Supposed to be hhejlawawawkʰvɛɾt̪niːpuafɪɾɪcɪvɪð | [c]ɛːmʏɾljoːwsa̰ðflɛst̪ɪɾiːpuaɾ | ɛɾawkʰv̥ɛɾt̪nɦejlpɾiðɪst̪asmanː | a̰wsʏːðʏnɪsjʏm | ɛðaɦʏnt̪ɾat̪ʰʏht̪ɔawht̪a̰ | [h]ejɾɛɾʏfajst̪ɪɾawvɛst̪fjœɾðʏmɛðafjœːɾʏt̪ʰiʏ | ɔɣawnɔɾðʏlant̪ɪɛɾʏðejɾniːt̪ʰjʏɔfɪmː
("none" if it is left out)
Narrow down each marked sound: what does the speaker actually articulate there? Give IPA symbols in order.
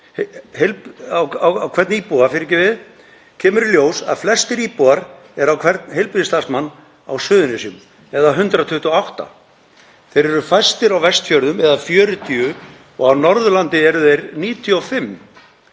cʰ, θ

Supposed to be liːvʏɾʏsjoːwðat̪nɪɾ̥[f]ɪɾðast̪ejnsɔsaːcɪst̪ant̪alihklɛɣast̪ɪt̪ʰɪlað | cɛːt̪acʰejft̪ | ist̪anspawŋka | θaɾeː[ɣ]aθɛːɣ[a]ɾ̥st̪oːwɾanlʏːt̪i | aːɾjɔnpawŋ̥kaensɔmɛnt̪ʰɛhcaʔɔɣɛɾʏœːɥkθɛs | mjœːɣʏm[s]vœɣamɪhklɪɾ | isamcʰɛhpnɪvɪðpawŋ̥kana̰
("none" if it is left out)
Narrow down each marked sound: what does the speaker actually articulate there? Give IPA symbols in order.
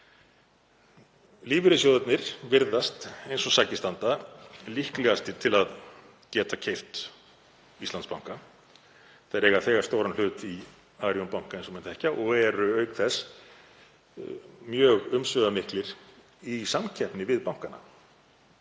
v, ɣ, a, s

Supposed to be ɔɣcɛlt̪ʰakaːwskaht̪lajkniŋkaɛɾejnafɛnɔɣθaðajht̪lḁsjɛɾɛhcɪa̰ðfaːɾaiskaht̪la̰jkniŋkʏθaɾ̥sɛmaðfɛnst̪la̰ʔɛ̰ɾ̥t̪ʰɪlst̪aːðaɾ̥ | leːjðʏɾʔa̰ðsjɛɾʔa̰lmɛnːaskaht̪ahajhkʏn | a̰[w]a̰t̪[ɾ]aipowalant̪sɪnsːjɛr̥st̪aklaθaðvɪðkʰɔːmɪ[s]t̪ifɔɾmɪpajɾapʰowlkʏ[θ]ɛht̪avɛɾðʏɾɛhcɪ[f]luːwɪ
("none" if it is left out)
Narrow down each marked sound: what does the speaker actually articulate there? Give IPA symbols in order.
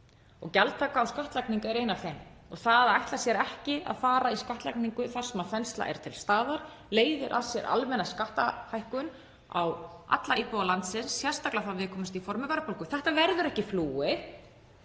w, l, s, θ, f

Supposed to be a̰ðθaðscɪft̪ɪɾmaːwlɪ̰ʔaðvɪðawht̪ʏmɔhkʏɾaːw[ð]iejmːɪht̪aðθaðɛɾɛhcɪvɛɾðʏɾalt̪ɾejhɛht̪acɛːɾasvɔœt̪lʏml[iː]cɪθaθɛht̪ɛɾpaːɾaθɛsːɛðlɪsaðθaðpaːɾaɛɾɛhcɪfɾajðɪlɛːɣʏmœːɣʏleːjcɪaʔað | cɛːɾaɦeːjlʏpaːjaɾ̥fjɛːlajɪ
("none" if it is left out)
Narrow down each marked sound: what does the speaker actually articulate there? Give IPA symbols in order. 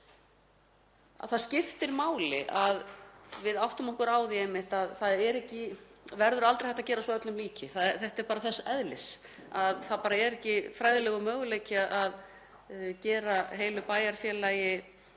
ð, iː

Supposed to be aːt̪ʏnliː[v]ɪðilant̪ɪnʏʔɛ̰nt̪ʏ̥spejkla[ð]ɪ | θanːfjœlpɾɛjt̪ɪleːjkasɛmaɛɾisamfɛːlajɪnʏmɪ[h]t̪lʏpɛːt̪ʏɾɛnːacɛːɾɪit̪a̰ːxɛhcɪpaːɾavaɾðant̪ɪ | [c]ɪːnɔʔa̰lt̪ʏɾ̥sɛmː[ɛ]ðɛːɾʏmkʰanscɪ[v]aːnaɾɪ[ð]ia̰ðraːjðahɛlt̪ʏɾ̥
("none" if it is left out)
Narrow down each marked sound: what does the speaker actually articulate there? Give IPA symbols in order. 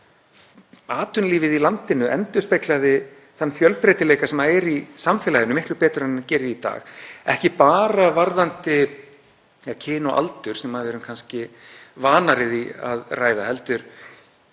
v, ð, h, cʰ, a, v, ð

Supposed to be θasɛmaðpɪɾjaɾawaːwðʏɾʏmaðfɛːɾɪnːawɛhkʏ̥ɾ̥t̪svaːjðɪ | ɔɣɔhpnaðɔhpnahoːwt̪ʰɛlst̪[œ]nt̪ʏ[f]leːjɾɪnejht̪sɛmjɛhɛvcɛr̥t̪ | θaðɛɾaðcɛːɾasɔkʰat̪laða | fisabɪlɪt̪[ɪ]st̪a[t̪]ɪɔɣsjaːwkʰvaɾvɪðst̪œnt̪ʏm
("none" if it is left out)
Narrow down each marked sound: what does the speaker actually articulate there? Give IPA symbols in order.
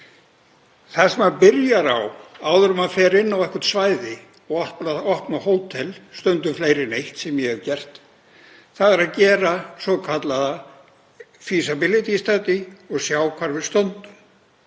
œ, f, i, t̪

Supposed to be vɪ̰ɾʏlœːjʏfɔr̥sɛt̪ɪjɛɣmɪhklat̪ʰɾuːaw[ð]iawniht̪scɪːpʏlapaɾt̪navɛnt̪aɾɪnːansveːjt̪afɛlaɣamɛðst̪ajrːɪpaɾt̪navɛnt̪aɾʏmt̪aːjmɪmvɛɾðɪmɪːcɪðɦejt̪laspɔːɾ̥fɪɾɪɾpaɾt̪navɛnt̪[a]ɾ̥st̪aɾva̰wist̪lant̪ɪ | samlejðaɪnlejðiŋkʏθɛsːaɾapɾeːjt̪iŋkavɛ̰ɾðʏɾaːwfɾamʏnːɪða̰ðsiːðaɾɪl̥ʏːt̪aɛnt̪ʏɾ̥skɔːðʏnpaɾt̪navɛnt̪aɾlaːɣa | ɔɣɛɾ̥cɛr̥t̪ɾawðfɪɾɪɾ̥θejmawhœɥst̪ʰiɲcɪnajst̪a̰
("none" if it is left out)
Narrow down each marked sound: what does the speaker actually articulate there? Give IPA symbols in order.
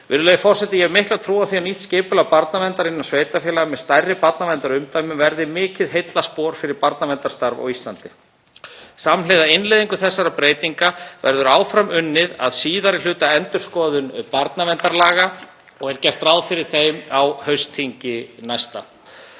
θ, a

